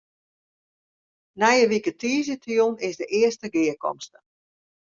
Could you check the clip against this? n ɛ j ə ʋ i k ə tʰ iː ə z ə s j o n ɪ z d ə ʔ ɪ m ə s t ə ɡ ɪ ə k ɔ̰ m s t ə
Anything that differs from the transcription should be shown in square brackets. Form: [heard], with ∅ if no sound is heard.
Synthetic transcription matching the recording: n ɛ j ə ʋ i k ə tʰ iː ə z ə [t] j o n ɪ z d ə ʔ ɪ [∅] ə s t ə ɡ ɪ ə k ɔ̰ m s t ə